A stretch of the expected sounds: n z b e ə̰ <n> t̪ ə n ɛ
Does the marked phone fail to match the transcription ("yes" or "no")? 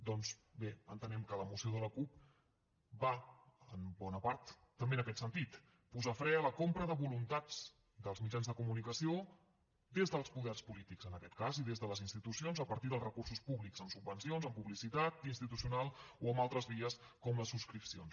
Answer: no